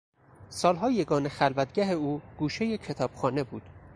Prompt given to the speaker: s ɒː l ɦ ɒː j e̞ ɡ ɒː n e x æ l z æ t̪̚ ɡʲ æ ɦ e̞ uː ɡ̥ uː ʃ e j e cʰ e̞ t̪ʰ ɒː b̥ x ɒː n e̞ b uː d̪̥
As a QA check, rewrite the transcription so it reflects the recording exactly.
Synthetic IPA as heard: s ɒː l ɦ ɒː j e̞ ɡ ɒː n e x æ l v æ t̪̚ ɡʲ æ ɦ e̞ uː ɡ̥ uː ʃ e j e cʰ e̞ t̪ʰ ɒː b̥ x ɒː n e̞ b uː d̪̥